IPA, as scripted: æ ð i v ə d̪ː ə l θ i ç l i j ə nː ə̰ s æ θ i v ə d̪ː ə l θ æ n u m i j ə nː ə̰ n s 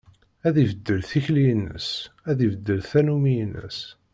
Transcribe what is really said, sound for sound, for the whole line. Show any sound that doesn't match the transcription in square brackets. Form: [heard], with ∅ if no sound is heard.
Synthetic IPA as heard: æ ð i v ə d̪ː ə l θ i ç l i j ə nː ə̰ s æ [ð] i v ə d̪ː ə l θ æ n u m i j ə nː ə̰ [∅] s